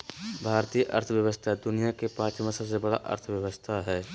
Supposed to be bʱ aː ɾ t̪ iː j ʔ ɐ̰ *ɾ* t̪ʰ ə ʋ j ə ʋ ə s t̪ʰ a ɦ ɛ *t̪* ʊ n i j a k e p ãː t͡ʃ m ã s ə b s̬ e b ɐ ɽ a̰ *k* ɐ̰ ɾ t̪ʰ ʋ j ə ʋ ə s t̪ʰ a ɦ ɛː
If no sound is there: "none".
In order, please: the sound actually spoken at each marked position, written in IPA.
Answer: ɾ, d̪, ʔ

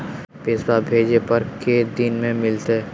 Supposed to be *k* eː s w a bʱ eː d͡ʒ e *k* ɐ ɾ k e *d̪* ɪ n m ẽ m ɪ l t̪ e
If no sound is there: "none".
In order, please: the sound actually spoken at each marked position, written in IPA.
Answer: p, p, d̪

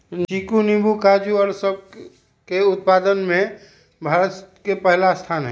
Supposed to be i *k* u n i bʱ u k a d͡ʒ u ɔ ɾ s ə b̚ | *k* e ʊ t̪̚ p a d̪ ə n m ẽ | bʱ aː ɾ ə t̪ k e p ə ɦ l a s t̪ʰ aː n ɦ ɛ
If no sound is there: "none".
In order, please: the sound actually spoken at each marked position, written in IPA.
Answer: k, k

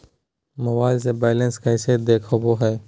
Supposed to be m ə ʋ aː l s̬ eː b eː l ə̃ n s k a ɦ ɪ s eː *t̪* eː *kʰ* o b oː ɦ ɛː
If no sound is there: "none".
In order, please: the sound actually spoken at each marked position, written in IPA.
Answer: d̪, kʰ

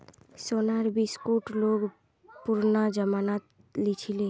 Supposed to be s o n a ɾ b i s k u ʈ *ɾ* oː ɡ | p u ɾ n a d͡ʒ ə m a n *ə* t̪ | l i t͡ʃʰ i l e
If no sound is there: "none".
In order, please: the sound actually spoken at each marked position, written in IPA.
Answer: l, a

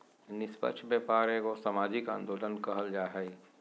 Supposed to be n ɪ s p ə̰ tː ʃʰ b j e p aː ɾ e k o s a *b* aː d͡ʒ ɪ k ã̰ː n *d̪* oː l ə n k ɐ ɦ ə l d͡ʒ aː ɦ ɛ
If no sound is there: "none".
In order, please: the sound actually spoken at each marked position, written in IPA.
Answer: m, d̪

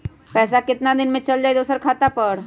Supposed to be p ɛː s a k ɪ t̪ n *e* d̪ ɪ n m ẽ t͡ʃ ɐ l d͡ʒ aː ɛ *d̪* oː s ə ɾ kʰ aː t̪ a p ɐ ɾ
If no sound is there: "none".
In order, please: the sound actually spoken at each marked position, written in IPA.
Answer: a, d̪

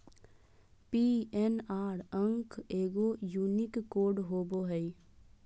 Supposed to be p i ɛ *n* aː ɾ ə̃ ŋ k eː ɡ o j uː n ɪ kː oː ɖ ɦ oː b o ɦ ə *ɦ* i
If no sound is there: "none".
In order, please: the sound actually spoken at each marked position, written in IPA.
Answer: n, none

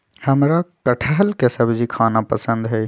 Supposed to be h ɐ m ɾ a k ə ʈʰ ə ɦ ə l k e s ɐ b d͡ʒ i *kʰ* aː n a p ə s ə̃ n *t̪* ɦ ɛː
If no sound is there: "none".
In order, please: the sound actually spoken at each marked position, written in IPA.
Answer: kʰ, d̪

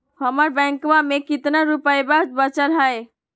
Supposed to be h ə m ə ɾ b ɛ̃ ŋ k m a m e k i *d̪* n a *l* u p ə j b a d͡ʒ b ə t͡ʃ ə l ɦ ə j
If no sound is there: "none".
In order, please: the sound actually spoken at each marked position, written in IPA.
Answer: t̪, ɾ

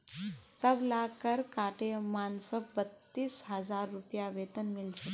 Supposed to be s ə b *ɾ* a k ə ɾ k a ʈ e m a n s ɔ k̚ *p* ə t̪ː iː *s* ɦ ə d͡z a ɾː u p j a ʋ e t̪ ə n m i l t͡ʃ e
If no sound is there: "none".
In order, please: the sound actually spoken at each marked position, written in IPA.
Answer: l, b, s

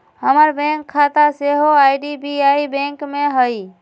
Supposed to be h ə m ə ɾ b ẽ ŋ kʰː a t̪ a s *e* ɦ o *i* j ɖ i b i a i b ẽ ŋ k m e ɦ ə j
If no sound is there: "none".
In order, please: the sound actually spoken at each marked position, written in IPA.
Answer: e, a

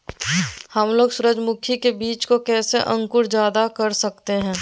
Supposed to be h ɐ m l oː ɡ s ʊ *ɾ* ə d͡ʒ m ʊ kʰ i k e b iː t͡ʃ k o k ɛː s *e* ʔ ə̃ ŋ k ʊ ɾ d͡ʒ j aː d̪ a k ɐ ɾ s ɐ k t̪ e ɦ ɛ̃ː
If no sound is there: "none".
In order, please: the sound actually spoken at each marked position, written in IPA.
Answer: ɾ, e

